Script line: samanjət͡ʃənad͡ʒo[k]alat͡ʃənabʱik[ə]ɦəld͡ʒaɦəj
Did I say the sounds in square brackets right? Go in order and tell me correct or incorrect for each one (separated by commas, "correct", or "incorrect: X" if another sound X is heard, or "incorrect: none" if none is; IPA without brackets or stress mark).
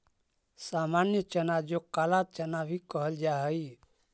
correct, correct